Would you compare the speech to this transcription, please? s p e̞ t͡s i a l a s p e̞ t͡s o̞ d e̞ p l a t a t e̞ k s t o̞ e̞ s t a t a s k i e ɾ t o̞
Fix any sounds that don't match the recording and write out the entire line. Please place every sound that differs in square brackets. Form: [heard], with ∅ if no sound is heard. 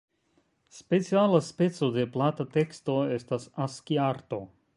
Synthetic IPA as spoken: s p e̞ t͡s i a l a s p e̞ t͡s o̞ d e̞ p l a t a t e̞ k s t o̞ e̞ s t a [s] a s k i [a] ɾ t o̞